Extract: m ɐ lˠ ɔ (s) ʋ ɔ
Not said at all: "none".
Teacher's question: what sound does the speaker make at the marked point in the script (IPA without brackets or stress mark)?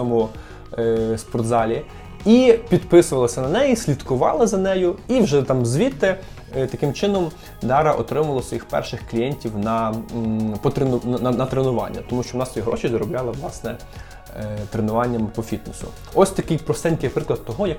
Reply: s